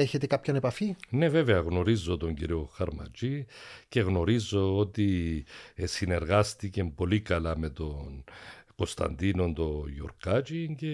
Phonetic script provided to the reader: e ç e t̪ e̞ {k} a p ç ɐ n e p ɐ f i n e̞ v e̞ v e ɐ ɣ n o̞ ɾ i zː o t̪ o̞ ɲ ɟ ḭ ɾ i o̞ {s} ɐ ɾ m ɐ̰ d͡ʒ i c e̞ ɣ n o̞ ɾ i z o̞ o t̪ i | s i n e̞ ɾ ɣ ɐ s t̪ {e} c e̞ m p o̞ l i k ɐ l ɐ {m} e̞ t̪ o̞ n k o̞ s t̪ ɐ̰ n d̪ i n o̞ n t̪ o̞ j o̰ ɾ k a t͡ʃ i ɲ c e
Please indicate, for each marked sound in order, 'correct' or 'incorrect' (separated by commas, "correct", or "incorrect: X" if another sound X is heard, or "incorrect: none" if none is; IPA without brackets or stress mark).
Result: correct, incorrect: x, incorrect: i, correct